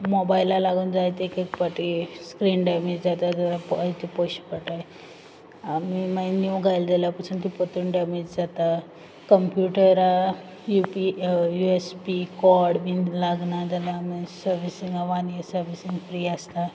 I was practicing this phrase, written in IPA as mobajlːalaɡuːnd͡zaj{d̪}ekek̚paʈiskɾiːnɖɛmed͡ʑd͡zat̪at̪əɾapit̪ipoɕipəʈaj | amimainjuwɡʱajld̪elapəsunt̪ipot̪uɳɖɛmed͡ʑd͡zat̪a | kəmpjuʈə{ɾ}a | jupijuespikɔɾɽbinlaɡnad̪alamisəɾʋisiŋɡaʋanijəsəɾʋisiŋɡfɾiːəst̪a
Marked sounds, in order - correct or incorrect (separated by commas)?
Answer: incorrect, correct